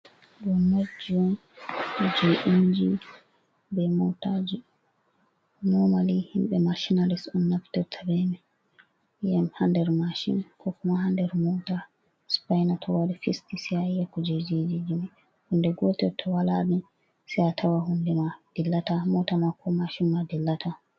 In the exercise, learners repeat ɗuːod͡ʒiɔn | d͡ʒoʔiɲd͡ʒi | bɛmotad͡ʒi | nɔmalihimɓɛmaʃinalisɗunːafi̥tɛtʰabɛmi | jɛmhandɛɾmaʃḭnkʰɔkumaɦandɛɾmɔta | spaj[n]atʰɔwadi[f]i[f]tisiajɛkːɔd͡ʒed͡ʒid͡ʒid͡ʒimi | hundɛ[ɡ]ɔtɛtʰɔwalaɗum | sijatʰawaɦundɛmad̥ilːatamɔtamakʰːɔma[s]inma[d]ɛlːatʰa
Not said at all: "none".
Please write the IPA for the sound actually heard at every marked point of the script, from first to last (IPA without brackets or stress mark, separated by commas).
n, f, s, ɡ, ʃ, d